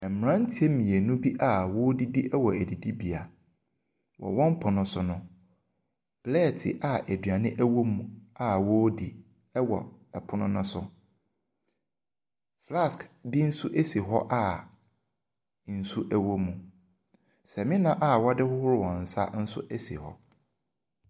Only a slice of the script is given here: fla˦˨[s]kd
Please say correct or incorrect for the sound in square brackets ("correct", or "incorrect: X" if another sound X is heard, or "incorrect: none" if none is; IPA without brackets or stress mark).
correct